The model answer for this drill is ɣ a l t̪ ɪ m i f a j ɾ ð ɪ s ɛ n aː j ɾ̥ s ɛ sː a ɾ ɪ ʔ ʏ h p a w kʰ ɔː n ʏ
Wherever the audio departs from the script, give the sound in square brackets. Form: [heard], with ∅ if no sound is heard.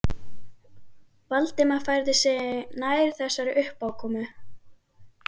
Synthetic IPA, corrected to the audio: [v] a l t̪ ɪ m [a] f a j ɾ ð ɪ s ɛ n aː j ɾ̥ [θ] ɛ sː a ɾ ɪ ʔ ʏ h p a w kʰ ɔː [m] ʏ